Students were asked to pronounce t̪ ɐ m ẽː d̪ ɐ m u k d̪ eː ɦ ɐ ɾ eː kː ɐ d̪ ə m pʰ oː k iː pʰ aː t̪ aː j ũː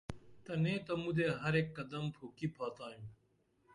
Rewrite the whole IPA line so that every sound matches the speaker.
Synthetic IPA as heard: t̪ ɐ n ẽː t̪ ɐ m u d̪ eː ɦ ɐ ɾ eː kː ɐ d̪ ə m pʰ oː k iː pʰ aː t̪ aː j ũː